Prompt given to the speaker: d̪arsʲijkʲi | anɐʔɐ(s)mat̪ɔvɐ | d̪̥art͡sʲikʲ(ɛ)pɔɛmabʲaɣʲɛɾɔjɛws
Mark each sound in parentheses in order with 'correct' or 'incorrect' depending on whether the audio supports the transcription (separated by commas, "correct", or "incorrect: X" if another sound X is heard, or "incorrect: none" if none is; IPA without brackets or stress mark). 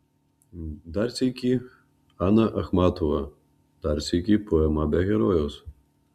incorrect: x, incorrect: i